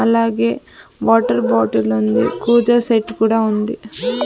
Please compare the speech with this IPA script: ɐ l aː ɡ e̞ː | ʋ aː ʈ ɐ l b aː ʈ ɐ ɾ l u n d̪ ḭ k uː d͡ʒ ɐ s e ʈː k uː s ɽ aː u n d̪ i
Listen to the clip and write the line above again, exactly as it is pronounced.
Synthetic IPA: ɐ l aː ɡ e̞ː | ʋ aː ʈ ɐ ɾ b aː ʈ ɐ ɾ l u n d̪ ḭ k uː d͡ʒ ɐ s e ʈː k uː ɽ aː u n d̪ i